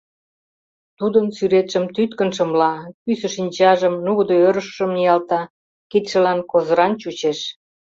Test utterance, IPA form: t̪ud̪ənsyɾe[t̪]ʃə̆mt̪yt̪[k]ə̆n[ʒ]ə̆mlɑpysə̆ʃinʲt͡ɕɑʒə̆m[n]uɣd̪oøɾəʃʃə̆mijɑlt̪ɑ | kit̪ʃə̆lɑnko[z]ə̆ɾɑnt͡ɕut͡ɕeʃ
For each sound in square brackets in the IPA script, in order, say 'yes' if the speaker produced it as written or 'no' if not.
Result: yes, yes, no, yes, yes

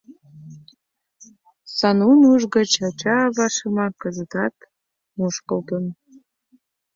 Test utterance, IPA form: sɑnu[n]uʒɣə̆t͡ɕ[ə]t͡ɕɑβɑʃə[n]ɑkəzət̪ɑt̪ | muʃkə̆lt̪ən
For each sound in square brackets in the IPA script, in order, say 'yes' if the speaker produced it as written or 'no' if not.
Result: yes, no, no

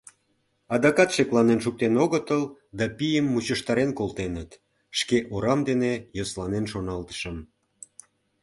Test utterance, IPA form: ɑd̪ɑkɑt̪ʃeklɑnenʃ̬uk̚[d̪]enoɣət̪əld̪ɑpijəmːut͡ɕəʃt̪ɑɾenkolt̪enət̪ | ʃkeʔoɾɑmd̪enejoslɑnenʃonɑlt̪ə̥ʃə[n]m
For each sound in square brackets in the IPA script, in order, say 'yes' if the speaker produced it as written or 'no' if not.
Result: no, no

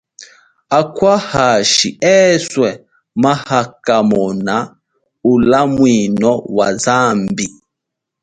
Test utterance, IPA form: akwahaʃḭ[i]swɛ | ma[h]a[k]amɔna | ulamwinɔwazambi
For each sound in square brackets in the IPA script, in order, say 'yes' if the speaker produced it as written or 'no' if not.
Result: no, yes, yes

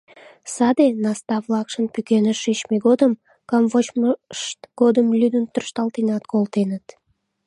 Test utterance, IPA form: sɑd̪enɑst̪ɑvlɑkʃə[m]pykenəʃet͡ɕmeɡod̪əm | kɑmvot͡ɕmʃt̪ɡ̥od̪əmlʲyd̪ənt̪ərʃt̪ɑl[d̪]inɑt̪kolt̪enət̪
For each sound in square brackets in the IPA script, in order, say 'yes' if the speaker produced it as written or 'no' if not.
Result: no, no

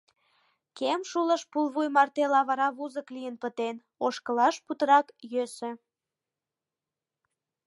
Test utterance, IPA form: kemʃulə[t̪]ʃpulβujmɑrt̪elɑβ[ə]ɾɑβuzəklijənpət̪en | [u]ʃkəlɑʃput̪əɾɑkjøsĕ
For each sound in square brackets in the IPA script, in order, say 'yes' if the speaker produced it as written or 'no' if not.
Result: no, no, no

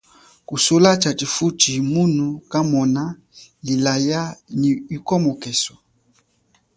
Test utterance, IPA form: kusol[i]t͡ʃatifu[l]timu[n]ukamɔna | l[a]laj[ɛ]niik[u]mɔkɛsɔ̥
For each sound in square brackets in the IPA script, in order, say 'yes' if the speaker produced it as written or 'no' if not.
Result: no, no, yes, no, no, no

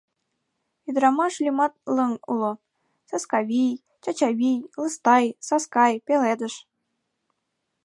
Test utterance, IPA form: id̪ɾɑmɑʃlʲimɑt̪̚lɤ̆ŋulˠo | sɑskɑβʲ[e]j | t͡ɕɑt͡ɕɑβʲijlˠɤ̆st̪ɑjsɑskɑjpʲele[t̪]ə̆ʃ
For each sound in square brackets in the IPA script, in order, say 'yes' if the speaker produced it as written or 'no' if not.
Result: no, no

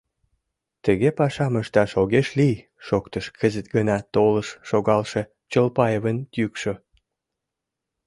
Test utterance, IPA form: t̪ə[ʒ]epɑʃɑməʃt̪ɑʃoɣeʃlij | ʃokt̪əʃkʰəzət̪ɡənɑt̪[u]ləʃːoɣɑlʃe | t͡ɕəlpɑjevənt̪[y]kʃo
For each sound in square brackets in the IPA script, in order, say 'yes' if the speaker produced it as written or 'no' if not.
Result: no, no, yes

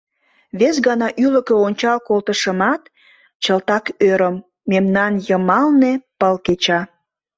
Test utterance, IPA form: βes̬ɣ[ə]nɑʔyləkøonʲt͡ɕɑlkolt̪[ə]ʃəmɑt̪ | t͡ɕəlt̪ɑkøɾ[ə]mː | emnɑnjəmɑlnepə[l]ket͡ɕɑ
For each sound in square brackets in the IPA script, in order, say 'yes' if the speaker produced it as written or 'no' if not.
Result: no, yes, yes, yes

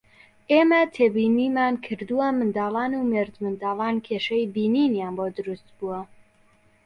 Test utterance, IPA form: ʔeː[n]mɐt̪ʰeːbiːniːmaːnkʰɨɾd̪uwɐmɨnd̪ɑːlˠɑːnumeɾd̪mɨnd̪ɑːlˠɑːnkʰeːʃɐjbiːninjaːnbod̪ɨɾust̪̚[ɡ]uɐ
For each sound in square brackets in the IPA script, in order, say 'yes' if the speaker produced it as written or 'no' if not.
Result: no, no

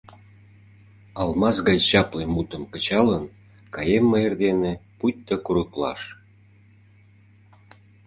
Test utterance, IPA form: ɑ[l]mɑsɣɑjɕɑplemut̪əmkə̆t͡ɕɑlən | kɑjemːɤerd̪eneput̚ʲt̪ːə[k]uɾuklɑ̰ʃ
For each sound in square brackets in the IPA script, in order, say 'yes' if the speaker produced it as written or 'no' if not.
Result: yes, yes

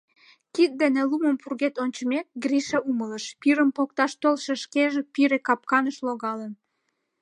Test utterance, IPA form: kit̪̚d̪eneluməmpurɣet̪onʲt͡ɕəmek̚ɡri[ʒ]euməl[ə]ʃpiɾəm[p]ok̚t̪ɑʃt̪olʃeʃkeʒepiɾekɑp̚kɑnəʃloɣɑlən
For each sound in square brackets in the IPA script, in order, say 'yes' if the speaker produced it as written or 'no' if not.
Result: no, yes, yes

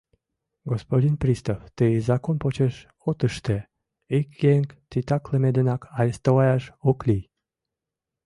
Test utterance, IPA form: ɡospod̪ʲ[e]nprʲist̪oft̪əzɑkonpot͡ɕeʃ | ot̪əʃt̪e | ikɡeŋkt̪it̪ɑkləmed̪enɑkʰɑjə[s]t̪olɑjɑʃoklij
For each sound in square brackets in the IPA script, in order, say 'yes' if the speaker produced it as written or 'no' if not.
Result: no, yes

